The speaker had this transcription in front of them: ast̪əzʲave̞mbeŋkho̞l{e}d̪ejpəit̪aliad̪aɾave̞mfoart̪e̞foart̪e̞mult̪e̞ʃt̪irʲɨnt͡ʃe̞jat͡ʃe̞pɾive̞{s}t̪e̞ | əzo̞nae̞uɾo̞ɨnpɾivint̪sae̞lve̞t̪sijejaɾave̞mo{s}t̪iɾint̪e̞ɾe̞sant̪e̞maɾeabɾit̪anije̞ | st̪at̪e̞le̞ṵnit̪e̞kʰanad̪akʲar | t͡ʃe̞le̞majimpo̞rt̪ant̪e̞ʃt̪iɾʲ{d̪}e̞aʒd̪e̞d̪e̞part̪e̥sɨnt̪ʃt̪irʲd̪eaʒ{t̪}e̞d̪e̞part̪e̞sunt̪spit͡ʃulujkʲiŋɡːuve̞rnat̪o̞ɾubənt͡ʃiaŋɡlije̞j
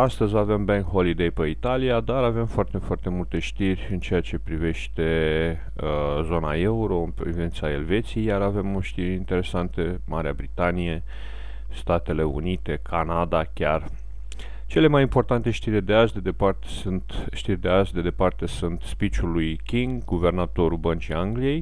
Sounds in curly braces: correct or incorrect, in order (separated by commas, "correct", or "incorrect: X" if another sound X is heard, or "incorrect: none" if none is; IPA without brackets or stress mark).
incorrect: i, incorrect: ʃ, incorrect: ʃ, correct, incorrect: d̪